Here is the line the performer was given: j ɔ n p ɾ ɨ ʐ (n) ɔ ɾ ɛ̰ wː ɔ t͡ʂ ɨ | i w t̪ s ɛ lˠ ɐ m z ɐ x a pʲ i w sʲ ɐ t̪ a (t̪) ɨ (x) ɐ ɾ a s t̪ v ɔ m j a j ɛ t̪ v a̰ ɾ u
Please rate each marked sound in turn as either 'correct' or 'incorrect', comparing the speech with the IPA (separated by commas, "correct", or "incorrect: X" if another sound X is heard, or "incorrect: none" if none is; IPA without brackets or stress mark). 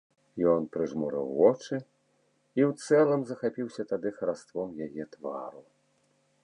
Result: incorrect: m, incorrect: d̪, correct